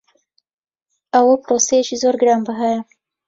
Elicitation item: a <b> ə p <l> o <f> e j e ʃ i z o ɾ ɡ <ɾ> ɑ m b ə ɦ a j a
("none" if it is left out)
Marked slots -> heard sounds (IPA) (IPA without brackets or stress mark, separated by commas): w, ɾ, s, ɾ